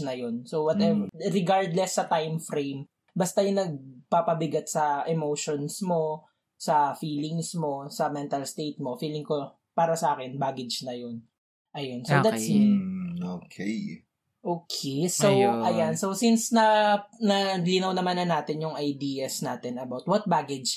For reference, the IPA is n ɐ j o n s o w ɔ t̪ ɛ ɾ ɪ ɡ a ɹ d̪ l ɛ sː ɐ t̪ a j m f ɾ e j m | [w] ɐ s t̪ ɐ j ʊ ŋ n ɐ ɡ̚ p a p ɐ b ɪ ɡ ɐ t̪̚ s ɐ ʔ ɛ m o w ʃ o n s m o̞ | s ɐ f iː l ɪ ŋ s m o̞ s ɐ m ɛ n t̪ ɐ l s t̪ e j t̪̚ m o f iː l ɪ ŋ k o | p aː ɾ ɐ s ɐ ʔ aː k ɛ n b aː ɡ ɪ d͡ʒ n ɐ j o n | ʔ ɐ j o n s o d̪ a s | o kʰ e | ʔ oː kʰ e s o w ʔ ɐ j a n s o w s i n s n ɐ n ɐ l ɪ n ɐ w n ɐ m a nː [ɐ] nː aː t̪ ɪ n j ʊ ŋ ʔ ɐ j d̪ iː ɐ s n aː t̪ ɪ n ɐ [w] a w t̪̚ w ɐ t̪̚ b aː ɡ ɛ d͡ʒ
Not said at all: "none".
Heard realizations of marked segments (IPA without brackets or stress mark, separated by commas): b, ɐ, b